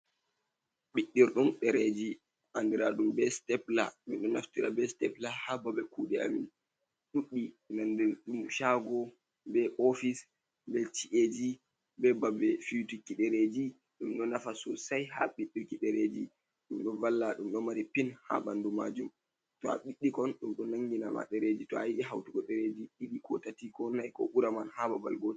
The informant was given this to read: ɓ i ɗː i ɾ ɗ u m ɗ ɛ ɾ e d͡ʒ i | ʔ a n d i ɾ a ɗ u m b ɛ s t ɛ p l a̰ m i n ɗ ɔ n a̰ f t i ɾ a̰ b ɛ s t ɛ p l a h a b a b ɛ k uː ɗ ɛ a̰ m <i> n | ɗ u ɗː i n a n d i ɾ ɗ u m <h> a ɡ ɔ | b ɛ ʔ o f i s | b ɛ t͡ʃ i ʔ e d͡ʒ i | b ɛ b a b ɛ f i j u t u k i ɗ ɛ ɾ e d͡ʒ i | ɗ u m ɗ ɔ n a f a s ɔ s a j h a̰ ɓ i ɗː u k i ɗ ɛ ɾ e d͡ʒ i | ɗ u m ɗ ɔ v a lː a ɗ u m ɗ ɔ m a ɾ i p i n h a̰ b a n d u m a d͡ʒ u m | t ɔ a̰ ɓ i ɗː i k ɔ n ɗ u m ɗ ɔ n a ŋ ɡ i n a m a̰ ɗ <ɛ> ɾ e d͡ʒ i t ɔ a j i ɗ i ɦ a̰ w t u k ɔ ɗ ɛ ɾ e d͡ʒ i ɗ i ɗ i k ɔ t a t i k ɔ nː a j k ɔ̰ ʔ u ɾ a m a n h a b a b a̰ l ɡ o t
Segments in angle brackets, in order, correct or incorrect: correct, incorrect: ʃ, correct

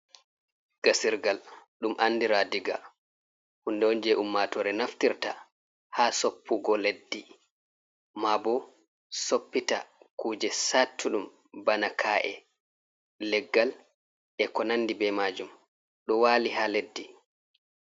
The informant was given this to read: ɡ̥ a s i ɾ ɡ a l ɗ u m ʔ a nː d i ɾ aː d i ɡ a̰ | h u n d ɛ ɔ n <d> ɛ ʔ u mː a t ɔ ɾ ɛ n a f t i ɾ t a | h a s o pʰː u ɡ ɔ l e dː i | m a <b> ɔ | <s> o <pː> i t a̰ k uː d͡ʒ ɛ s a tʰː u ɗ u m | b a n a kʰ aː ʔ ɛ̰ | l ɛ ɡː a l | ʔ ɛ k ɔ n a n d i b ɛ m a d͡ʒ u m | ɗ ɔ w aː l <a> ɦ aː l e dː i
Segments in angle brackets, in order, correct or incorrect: incorrect: d͡ʒ, correct, correct, correct, incorrect: i

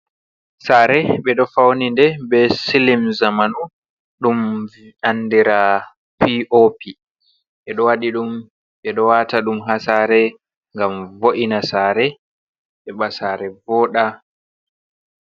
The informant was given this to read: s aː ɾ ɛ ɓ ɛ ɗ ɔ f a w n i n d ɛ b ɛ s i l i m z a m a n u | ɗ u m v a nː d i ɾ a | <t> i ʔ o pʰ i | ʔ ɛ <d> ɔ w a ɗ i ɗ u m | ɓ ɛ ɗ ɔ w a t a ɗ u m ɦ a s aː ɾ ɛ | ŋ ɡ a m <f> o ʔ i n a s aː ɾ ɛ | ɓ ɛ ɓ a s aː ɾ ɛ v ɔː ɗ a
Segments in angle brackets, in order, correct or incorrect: incorrect: p, incorrect: ɗ, incorrect: v

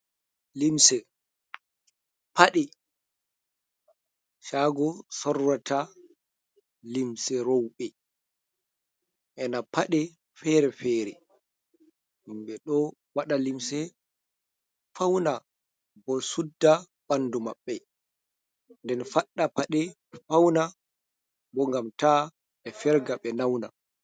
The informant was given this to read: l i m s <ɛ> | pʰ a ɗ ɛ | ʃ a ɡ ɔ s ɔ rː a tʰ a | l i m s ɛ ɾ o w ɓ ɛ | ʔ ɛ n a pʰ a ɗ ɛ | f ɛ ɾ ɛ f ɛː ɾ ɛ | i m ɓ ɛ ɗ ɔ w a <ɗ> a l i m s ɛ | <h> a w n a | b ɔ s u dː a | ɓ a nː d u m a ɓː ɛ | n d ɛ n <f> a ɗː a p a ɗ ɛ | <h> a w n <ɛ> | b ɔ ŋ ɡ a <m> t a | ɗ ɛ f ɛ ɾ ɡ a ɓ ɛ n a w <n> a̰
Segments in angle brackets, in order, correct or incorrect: correct, correct, incorrect: f, correct, incorrect: f, incorrect: a, correct, correct

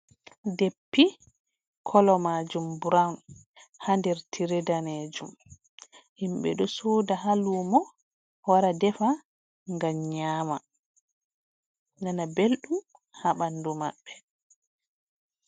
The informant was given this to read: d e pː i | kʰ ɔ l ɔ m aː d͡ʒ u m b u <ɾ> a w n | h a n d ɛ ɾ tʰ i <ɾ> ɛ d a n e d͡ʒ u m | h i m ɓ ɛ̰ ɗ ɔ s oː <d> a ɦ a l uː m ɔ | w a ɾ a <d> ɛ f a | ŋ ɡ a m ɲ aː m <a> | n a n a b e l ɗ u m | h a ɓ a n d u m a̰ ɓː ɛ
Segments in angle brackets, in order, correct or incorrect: correct, correct, correct, correct, correct

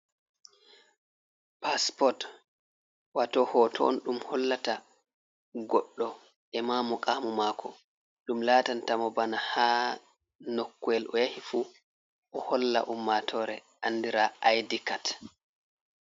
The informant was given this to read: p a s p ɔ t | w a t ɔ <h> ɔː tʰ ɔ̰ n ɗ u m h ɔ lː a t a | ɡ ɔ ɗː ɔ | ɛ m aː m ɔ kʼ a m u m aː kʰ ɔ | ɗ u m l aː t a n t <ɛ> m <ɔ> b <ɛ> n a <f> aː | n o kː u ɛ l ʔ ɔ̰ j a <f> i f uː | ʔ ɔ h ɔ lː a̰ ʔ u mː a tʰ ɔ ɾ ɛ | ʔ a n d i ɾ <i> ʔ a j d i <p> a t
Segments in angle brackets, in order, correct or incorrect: correct, incorrect: a, correct, incorrect: a, incorrect: h, incorrect: h, incorrect: a, incorrect: k

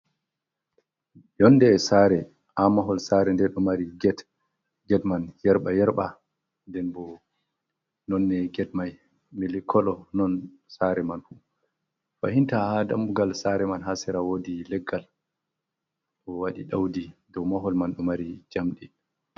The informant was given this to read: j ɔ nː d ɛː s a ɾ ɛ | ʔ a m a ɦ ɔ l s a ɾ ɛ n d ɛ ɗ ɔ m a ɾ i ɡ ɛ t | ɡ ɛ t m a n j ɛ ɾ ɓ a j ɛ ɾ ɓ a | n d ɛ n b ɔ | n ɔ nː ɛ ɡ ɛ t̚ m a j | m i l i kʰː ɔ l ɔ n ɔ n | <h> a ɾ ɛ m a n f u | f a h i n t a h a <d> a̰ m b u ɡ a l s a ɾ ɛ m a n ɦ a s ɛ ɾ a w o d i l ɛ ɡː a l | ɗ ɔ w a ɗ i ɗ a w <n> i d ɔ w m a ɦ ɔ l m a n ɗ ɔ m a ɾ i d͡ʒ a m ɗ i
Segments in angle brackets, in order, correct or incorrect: incorrect: s, correct, incorrect: d

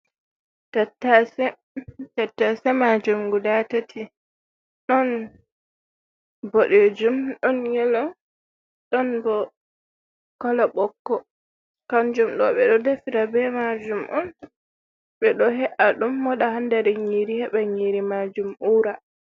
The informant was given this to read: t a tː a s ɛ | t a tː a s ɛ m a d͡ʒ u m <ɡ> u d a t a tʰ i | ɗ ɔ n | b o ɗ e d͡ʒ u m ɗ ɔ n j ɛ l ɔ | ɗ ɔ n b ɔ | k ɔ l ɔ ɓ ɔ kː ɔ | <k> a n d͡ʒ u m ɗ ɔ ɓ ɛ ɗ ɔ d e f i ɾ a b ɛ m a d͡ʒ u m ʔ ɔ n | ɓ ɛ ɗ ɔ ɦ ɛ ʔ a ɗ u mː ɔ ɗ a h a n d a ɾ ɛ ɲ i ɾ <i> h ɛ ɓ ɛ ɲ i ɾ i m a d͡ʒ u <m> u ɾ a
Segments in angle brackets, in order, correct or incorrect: correct, correct, correct, correct

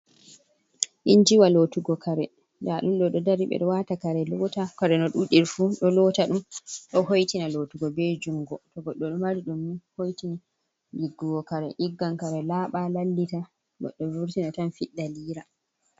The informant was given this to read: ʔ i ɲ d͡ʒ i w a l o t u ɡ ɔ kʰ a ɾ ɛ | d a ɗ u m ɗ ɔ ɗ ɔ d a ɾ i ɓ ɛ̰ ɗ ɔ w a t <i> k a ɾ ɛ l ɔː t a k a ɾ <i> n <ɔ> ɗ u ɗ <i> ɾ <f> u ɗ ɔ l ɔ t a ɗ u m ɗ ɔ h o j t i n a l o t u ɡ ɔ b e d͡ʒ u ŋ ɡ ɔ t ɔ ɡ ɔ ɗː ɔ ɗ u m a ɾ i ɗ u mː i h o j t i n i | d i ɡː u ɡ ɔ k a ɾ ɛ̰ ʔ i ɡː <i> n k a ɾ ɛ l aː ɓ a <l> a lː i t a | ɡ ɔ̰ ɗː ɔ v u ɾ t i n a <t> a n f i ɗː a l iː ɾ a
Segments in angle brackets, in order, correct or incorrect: incorrect: a, incorrect: ɛ, correct, correct, correct, incorrect: a, correct, correct

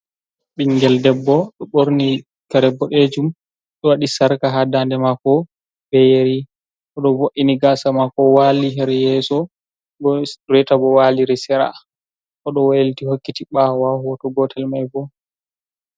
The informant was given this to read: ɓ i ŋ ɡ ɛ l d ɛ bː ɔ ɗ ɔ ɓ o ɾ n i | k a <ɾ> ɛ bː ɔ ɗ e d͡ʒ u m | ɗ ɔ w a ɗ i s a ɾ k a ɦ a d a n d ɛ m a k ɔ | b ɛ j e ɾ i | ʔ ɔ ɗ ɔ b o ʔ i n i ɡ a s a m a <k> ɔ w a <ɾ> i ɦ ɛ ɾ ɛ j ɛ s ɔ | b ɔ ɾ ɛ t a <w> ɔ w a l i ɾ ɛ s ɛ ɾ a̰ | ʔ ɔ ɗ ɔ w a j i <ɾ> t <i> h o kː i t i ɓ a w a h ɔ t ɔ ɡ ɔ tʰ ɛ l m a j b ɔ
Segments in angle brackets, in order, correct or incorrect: correct, correct, incorrect: l, incorrect: b, incorrect: l, correct

